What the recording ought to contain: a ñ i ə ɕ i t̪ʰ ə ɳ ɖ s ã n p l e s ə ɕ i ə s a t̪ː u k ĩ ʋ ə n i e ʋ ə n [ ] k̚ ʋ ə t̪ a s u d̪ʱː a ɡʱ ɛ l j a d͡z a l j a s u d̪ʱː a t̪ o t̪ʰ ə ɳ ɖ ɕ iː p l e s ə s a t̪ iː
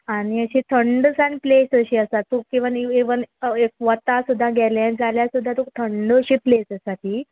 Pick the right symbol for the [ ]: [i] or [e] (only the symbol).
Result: e